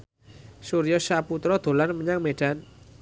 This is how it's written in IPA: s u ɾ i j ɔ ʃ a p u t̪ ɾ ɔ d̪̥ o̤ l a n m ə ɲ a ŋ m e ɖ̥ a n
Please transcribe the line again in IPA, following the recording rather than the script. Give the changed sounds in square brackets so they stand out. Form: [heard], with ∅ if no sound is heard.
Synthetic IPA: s u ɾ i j ɔ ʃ a p u t̪ ɾ ɔ d̪̥ o̤ l a n m ə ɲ a ŋ m e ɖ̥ a n